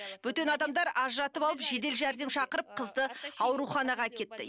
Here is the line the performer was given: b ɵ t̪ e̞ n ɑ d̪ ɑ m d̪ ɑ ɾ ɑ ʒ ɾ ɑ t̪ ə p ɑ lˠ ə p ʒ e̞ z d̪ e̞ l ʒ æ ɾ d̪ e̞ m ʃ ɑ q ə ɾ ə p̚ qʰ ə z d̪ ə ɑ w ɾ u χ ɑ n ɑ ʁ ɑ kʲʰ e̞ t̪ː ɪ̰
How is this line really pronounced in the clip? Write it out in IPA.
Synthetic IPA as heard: b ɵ t̪ e̞ n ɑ d̪ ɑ m d̪ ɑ ɾ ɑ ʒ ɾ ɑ t̪ ə p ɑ lˠ ə p ʒ e̞ d̪ e̞ l ʒ æ ɾ d̪ e̞ m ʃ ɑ q ə ɾ ə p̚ qʰ ə z d̪ ə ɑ w ɾ u χ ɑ n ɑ ʁ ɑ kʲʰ e̞ t̪ː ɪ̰